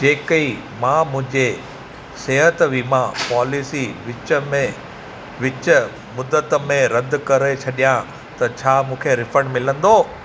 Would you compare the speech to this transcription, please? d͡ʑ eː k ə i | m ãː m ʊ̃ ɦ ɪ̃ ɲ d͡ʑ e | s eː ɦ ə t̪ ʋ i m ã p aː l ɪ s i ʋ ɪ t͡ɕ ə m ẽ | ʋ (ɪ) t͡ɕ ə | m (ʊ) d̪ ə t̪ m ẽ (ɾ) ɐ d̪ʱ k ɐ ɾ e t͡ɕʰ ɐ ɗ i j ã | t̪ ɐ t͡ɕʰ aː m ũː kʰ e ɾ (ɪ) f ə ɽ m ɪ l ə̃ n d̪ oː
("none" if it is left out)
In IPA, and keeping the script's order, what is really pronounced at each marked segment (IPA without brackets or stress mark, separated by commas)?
ɪ, ʊ, ɾ, ɪ